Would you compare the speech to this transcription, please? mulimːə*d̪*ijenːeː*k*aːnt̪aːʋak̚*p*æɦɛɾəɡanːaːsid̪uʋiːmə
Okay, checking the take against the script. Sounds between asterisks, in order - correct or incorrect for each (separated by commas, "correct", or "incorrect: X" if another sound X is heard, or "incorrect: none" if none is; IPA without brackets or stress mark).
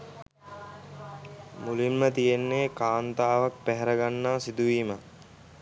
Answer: incorrect: t̪, correct, correct